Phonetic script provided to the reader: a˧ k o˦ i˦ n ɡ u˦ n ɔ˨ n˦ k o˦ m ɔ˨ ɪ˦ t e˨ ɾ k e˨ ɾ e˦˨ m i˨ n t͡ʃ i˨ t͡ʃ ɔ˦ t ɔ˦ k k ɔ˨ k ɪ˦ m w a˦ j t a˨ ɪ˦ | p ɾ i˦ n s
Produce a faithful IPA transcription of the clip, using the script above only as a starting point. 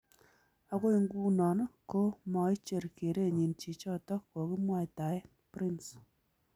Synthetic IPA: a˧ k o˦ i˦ ŋ ɡ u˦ n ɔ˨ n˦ k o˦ m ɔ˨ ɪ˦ t͡ʃ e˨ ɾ k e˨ ɾ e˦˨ ɲ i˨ n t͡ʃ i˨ t͡ʃ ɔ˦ t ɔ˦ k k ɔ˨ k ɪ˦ m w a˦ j t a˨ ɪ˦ | p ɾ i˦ n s